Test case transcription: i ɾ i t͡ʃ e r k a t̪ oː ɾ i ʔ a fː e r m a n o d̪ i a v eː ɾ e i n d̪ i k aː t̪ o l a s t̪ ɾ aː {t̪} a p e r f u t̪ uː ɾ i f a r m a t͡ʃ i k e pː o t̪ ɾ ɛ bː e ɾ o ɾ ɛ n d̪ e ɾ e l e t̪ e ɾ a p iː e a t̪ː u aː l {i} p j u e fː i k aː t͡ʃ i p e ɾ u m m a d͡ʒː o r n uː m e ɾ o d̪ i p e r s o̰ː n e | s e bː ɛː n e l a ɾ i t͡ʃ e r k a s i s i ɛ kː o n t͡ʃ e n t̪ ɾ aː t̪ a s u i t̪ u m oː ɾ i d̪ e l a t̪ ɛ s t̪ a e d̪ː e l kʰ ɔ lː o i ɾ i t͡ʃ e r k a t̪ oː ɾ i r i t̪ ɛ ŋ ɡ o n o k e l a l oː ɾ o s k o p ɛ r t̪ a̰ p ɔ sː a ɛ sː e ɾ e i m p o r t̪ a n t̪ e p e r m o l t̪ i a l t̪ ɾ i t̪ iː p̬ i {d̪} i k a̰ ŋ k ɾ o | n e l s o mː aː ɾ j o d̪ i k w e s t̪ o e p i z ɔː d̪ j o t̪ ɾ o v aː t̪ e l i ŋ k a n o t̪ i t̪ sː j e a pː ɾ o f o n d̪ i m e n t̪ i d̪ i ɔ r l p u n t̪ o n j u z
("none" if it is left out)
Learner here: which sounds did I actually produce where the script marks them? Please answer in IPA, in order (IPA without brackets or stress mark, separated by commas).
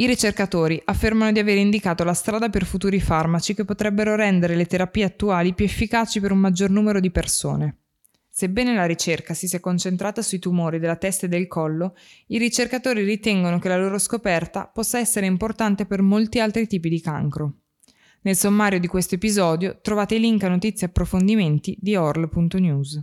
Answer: d̪, i, d̪